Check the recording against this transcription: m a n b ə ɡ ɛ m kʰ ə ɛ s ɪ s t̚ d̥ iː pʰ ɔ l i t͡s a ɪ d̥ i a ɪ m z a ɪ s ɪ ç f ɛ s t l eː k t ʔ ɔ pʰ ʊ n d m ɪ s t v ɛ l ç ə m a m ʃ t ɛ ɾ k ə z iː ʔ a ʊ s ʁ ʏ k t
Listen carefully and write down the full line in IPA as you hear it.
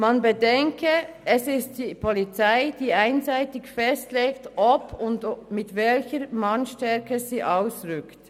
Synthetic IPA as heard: m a n b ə d ɛ ŋ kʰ ə ɛ s ɪ s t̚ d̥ iː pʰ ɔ l i t͡s a ɪ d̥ iː a ɪ n z a ɪ t ɪ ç f ɛ s t l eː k t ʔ ɔ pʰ ʊ n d m ɪ t v ɛ l ç ə m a n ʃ t ɛ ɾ k ə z iː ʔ a ʊ s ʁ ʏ k t